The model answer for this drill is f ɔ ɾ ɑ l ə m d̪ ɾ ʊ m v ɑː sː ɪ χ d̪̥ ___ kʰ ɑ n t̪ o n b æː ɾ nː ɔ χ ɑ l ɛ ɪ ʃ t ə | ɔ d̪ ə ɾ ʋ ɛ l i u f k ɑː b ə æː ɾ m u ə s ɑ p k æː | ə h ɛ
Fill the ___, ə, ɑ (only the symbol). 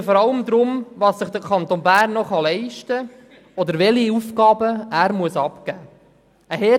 ə